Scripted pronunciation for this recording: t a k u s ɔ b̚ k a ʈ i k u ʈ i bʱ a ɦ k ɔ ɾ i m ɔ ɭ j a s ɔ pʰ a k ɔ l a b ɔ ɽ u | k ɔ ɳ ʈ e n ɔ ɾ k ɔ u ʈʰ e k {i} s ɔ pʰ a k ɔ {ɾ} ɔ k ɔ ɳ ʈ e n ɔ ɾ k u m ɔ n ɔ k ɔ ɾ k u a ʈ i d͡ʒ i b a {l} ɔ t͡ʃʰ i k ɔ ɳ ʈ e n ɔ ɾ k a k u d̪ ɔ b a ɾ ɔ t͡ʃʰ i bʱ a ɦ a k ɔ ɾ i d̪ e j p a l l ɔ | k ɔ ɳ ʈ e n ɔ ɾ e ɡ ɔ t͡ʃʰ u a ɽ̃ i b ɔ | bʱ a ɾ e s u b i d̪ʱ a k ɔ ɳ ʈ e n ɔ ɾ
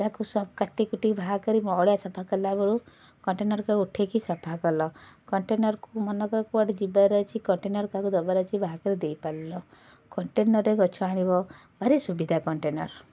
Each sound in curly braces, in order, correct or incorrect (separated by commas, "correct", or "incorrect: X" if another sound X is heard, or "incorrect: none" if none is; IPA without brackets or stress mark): correct, incorrect: l, incorrect: ɾ